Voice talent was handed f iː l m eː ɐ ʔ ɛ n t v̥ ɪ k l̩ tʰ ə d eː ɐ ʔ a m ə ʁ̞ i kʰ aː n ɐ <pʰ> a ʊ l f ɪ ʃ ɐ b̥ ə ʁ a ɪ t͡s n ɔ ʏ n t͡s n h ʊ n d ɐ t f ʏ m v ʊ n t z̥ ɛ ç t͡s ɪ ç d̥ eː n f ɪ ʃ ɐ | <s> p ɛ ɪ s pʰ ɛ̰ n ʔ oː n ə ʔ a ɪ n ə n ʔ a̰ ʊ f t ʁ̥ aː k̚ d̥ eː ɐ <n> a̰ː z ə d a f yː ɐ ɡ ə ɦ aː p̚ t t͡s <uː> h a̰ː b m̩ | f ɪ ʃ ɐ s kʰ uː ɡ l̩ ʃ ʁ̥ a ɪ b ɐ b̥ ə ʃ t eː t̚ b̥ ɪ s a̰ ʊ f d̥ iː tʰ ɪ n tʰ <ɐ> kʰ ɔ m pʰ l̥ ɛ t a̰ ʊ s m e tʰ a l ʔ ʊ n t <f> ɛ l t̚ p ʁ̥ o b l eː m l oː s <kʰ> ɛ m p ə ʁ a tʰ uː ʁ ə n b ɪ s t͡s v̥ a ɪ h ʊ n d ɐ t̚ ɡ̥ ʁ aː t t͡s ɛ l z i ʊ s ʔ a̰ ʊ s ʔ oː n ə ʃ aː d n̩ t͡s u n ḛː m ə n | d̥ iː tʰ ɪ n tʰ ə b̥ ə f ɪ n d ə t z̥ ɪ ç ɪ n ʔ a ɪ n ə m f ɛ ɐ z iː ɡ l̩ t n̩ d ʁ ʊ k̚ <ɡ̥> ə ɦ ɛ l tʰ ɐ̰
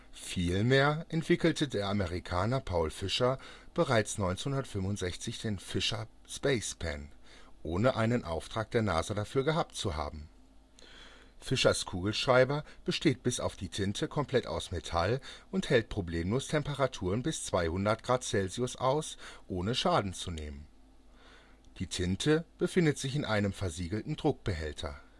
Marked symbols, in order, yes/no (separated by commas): yes, yes, yes, no, no, no, no, no